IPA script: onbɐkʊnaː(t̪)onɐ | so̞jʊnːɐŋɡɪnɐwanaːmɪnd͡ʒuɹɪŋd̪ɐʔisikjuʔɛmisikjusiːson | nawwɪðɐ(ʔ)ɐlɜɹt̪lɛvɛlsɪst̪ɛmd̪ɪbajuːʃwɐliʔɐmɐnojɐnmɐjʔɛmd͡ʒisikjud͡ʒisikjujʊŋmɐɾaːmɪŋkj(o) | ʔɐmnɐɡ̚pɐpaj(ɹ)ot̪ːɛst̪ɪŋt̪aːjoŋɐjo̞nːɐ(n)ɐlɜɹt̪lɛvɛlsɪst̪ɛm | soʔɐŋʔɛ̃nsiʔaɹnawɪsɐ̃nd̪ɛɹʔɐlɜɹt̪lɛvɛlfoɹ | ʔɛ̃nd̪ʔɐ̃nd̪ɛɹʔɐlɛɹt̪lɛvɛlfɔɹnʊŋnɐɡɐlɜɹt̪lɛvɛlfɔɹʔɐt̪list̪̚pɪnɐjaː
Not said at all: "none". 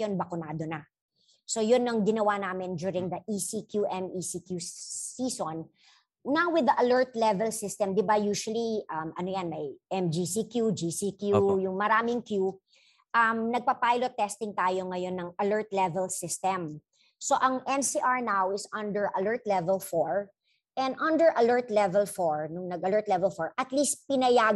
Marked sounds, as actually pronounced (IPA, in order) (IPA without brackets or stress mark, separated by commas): d̪, ʔ, u, l, ŋ